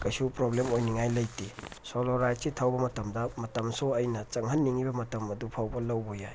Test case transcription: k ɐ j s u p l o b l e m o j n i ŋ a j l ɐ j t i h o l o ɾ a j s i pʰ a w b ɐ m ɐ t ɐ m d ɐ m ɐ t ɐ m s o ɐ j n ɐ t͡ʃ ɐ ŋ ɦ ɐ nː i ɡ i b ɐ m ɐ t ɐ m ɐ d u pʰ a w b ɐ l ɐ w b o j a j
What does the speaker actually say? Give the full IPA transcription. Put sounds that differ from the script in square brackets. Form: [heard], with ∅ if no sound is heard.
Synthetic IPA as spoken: k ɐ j s u p [ɾ] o b l e m o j n i ŋ a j l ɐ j t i [s] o l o ɾ a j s i [tʰ] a w b ɐ m ɐ t ɐ m d ɐ m ɐ t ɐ m s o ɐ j n ɐ t͡ʃ ɐ ŋ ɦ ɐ nː i [ŋ] i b ɐ m ɐ t ɐ m ɐ d u pʰ a w b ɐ l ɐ w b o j a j